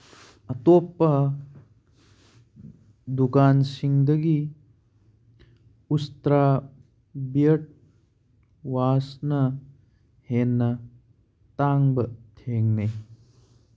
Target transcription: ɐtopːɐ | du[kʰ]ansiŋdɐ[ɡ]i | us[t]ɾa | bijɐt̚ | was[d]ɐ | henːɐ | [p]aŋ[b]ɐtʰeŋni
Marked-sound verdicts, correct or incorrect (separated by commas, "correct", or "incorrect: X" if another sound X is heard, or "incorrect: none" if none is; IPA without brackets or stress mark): incorrect: k, correct, correct, incorrect: n, incorrect: t, correct